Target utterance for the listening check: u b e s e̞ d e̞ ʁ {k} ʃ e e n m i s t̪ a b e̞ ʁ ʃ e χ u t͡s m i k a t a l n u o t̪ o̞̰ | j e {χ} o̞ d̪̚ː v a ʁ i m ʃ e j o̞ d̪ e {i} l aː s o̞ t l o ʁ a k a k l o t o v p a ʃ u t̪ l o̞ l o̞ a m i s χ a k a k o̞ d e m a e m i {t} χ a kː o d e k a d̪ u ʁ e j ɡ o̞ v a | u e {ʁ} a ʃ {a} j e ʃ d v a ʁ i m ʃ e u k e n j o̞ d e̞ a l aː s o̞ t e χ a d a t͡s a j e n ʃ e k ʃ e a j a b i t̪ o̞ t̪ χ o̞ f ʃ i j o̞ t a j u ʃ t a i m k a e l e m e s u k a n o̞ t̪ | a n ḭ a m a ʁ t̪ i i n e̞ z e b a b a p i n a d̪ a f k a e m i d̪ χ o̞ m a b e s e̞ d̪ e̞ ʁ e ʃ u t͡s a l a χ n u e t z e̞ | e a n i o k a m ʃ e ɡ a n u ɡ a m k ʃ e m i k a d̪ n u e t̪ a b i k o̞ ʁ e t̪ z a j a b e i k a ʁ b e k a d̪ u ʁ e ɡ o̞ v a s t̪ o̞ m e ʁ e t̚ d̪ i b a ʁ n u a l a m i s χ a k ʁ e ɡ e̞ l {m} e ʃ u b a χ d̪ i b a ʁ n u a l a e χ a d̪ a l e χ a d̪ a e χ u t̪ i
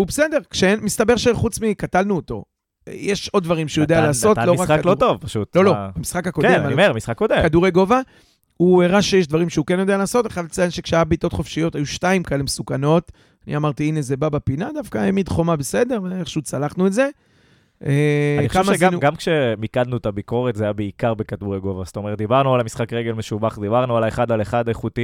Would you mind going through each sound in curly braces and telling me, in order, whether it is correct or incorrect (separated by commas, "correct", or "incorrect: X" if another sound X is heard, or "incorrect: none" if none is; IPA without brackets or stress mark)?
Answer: correct, incorrect: ʃ, incorrect: a, incorrect: s, correct, incorrect: e, correct